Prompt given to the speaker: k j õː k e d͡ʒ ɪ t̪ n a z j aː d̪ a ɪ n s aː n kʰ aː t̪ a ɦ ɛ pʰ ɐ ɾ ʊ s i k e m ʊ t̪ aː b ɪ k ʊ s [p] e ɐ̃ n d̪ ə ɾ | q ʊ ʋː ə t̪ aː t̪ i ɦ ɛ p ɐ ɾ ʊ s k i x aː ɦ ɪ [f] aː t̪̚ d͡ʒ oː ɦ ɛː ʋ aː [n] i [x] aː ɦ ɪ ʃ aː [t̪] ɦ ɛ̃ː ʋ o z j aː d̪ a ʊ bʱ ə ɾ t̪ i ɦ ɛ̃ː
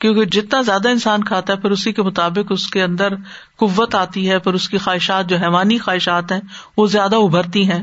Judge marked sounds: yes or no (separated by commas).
no, no, yes, yes, yes